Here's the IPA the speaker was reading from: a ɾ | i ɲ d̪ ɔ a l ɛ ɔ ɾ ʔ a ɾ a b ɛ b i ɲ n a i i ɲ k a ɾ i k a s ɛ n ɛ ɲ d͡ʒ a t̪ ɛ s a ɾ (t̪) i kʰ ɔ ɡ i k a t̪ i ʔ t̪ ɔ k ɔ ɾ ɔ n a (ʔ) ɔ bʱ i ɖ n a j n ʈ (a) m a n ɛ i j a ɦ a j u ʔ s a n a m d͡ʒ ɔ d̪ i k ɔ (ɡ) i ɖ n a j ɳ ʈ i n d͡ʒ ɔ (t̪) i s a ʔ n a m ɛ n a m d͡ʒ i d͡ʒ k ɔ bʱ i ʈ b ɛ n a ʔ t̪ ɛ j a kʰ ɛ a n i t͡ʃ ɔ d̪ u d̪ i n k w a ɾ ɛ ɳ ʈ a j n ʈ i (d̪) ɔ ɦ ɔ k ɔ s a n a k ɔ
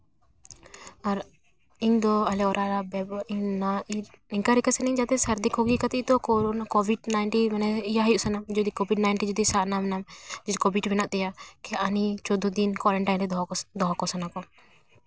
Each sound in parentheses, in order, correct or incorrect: incorrect, incorrect, incorrect, incorrect, incorrect, correct

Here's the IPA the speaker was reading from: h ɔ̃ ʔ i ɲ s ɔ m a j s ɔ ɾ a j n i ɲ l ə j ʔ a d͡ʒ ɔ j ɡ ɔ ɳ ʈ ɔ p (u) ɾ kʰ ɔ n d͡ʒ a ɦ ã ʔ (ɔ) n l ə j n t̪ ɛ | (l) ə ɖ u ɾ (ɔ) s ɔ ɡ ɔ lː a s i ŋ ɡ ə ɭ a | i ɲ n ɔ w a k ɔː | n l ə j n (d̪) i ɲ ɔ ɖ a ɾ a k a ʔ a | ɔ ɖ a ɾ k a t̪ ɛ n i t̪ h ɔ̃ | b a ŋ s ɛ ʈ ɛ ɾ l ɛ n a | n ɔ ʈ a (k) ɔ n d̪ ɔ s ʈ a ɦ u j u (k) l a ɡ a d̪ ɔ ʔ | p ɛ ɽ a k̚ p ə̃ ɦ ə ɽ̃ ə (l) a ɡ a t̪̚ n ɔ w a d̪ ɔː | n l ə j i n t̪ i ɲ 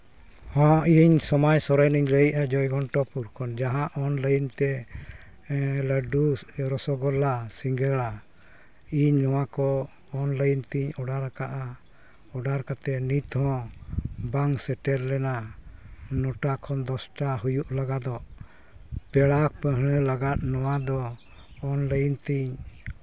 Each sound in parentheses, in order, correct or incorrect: correct, correct, correct, correct, incorrect, incorrect, incorrect, correct

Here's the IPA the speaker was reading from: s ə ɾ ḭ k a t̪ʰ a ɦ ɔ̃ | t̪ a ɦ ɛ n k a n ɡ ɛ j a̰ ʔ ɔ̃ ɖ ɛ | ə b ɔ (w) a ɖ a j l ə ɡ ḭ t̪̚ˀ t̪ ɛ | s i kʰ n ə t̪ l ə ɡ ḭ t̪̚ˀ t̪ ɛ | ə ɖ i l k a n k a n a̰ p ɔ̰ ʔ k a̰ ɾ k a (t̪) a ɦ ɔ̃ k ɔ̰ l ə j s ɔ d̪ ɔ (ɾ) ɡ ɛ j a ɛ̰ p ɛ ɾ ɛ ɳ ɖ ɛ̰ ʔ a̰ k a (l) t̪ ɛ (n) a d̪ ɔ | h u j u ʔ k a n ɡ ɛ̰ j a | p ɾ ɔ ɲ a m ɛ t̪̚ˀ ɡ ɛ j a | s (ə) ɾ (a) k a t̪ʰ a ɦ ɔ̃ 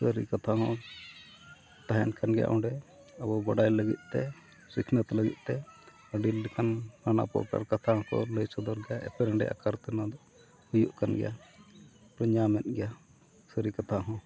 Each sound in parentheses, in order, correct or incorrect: incorrect, incorrect, correct, incorrect, correct, correct, incorrect

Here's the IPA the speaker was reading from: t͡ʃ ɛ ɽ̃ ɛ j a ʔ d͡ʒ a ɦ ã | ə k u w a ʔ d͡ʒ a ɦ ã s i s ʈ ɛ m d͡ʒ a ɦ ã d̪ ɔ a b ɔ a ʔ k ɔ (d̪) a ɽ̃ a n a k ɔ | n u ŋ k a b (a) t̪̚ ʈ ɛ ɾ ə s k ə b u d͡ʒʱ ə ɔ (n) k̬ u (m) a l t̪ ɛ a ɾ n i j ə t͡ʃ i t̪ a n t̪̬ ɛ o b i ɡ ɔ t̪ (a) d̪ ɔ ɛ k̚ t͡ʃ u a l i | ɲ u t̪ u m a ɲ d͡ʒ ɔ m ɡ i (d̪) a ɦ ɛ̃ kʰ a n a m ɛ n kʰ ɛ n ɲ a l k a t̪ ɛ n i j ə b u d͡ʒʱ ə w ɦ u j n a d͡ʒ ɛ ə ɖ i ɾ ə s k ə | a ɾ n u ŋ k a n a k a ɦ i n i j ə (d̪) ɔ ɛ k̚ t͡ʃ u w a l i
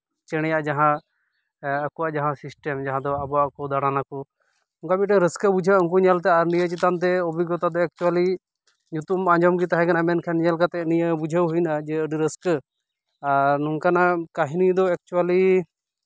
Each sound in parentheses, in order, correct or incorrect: correct, incorrect, incorrect, incorrect, correct, incorrect, correct

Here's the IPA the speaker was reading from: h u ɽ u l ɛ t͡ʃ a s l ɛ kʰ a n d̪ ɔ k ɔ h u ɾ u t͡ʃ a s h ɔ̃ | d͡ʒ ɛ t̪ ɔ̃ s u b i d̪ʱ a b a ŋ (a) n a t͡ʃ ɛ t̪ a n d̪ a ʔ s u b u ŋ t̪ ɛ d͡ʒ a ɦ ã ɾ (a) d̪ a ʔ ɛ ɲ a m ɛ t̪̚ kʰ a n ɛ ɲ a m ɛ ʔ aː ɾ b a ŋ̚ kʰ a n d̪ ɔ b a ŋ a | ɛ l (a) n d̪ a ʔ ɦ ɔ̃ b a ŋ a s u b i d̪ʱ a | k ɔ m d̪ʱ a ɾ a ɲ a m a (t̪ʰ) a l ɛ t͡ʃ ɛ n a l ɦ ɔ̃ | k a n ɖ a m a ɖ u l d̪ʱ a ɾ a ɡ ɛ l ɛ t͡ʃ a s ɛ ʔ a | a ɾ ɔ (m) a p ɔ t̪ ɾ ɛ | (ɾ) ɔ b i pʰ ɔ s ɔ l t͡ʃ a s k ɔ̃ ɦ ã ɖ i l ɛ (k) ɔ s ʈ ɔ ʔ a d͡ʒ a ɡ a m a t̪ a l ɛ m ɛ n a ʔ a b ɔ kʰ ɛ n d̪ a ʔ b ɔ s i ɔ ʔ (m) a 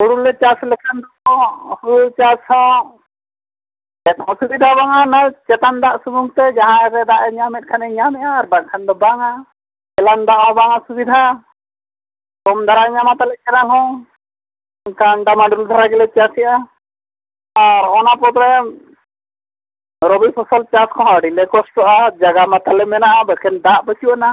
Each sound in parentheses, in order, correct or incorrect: correct, incorrect, correct, incorrect, incorrect, correct, correct, incorrect

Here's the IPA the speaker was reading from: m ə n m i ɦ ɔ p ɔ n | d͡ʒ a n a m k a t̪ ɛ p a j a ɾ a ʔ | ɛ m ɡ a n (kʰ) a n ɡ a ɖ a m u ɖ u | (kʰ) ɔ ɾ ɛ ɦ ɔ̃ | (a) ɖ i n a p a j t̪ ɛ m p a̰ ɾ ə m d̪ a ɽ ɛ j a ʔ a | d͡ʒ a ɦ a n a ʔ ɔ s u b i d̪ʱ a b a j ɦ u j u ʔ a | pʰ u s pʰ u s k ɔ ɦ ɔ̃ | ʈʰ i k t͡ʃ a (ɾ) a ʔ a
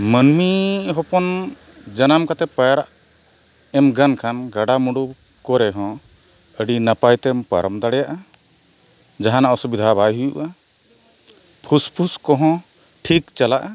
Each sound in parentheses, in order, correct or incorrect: correct, incorrect, incorrect, incorrect

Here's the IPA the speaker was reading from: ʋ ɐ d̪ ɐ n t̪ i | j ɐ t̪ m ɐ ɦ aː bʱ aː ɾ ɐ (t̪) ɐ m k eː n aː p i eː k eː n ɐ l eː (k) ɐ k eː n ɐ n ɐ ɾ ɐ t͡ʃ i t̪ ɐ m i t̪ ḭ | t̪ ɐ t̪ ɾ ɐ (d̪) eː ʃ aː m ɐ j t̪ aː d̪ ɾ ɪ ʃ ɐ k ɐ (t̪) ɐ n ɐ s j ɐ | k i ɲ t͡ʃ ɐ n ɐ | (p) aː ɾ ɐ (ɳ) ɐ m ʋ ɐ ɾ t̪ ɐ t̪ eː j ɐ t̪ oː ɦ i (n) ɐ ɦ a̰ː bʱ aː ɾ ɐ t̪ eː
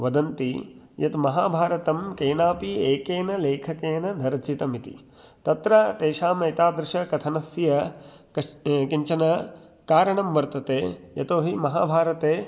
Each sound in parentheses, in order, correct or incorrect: correct, incorrect, incorrect, incorrect, incorrect, correct, incorrect

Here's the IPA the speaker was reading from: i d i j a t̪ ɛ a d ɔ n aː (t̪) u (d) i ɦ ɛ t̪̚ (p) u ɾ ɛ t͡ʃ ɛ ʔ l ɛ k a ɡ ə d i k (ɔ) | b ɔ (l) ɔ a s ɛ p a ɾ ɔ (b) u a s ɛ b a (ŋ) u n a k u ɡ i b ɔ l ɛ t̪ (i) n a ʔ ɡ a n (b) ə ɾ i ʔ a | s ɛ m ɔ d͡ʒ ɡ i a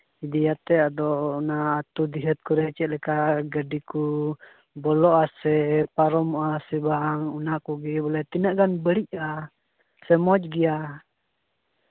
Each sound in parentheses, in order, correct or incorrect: correct, correct, incorrect, incorrect, correct, incorrect, correct, correct, correct

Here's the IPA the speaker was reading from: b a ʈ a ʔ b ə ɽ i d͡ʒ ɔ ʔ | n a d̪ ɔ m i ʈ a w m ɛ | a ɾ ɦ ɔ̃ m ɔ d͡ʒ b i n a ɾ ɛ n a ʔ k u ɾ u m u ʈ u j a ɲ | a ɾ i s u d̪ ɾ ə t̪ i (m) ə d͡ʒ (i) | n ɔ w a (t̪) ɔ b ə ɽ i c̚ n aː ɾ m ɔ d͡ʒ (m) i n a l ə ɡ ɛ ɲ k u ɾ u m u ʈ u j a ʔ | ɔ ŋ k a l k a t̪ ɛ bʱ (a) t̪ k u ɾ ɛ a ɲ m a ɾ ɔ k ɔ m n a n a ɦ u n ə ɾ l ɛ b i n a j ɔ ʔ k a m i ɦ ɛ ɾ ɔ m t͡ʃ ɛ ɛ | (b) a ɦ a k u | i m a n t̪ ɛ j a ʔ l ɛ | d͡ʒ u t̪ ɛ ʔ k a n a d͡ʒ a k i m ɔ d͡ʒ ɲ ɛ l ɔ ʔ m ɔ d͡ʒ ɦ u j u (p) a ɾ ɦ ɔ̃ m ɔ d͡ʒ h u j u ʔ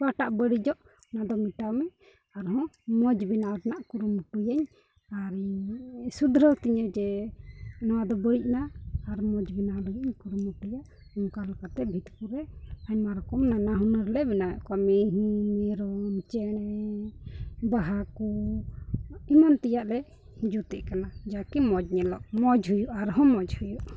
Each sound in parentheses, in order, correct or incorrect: incorrect, incorrect, incorrect, incorrect, incorrect, correct, incorrect

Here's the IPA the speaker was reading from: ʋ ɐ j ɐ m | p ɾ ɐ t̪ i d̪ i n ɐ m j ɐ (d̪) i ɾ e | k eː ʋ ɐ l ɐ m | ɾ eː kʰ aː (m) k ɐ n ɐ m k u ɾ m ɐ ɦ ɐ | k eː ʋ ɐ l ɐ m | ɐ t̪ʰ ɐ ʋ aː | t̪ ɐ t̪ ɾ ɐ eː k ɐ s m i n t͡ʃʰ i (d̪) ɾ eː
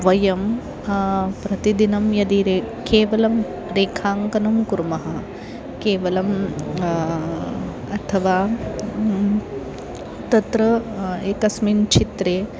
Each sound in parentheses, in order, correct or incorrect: correct, incorrect, incorrect

